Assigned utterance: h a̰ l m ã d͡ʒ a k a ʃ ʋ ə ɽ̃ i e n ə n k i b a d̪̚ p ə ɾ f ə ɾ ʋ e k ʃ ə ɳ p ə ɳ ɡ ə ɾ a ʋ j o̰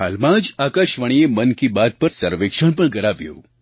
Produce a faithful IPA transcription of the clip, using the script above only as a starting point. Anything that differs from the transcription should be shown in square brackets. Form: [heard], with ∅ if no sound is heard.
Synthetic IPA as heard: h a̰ l m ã d͡ʒ a k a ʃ ʋ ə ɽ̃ i e [m] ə n k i b a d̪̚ p ə ɾ [s] ə ɾ ʋ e k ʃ ə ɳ p ə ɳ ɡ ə ɾ a ʋ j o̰

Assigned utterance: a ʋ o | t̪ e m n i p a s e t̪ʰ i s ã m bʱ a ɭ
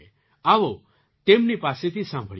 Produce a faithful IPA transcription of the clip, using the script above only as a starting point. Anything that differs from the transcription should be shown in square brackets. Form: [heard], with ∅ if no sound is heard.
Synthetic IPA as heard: a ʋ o | t̪ e m n i p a s e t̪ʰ i s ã m bʱ [ə] ɭ

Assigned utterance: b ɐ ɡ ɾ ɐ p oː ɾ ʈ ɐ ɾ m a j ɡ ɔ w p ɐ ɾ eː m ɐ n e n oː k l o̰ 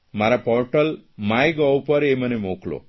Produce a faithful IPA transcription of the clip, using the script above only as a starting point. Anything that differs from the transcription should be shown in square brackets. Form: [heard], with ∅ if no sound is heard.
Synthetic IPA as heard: [m] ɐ [∅] ɾ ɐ p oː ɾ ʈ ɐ [l] m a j ɡ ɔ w p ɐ ɾ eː m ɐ n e [m] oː k l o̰

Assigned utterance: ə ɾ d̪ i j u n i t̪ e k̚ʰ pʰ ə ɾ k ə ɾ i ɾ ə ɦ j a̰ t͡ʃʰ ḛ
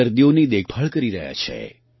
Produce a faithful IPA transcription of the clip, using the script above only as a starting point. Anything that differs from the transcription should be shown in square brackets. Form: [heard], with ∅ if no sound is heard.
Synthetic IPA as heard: ə ɾ d̪ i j [o] n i [d̪] e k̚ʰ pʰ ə [ɭ] k ə ɾ i ɾ ə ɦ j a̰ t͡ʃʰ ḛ

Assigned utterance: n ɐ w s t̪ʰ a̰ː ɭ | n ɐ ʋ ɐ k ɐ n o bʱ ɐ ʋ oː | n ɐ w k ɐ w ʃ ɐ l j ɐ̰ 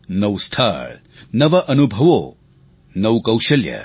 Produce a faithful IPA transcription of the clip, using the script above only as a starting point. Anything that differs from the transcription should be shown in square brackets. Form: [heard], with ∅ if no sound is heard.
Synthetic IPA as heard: n ɐ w s t̪ʰ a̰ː ɭ | n ɐ ʋ ɐ [ʔ] ɐ n [u] bʱ ɐ ʋ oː | n ɐ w k ɐ w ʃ ɐ l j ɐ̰

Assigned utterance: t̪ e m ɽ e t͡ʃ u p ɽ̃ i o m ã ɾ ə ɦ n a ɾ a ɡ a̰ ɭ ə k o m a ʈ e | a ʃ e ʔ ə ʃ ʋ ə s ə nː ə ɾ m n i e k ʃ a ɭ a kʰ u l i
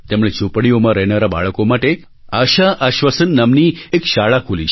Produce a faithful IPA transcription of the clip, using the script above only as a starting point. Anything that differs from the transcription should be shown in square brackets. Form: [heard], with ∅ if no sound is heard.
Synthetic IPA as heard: t̪ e m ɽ e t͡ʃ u p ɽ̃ i o m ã ɾ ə ɦ n a ɾ a [b] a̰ ɭ ə k o m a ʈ e | a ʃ [a] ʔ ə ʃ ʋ ə s ə nː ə [∅] m n i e k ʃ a ɭ a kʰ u l i

